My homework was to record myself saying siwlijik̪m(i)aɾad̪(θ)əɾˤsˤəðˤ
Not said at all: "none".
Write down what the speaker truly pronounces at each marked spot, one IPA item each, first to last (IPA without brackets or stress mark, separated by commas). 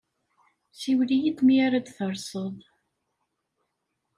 i, θ